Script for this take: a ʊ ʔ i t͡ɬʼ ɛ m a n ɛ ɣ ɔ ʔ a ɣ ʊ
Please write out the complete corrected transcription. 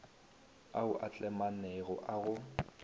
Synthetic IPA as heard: a ʊ ʔ a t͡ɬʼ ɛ m a n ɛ ɣ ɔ ʔ a ɣ ʊ